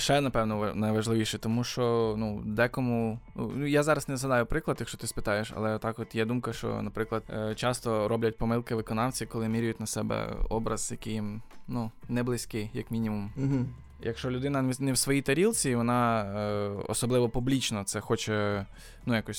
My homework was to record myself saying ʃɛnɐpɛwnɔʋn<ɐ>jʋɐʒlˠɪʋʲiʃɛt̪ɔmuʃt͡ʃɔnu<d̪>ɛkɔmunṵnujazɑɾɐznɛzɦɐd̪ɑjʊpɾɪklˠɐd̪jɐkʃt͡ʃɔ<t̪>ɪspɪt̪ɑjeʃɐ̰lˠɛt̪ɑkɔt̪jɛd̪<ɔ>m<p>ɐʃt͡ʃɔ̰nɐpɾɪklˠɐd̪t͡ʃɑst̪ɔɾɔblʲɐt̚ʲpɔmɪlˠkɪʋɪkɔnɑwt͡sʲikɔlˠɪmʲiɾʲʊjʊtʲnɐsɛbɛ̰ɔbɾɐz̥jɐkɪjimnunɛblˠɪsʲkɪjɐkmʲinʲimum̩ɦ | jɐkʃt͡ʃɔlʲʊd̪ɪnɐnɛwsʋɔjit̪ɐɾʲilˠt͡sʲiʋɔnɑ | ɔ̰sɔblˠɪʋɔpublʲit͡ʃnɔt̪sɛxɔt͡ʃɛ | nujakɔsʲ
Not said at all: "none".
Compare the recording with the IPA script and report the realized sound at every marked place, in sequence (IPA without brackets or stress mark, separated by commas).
ɐ, d̪, t̪, u, k